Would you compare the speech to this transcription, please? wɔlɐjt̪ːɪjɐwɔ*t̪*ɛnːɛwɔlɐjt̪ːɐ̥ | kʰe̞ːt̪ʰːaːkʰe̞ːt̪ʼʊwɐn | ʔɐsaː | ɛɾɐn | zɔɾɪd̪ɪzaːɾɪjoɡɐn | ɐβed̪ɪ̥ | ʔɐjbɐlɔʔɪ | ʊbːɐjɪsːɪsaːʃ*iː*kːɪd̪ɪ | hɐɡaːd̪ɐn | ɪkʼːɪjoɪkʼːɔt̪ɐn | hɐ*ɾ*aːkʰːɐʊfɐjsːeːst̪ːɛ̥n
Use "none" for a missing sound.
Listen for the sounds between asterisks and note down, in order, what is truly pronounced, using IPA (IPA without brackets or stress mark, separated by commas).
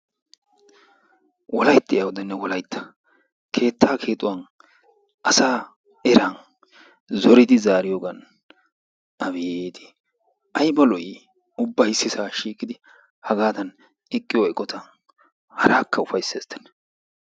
d̪, iː, ɾ